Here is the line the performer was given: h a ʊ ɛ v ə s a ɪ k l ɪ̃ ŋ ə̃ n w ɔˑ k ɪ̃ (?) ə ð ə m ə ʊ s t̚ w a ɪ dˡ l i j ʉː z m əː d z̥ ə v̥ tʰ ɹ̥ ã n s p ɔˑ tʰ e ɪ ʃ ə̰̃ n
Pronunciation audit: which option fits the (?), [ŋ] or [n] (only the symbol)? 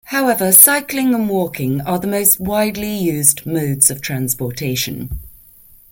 ŋ